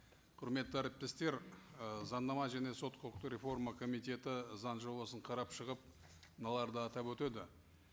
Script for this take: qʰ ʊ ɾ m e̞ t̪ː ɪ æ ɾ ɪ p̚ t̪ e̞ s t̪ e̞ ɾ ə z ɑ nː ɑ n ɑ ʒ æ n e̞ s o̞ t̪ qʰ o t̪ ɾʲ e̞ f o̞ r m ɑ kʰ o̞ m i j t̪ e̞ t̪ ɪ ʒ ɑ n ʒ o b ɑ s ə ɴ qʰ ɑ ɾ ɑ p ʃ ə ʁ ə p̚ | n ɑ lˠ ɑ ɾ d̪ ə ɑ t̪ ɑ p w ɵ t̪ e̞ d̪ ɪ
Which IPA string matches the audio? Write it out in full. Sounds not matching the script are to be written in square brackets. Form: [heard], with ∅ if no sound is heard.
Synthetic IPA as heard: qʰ ʊ ɾ m e̞ t̪ː ɪ æ ɾ ɪ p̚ t̪ e̞ s t̪ e̞ ɾ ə z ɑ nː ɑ [m] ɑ ʒ æ n e̞ s o̞ t̪ qʰ o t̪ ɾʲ e̞ f o̞ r m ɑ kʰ o̞ m i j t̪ e̞ t̪ ɪ [z] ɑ n ʒ o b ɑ s ə ɴ qʰ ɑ ɾ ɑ p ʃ ə ʁ ə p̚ | n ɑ lˠ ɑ ɾ d̪ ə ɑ t̪ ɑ p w ɵ t̪ e̞ d̪ ɪ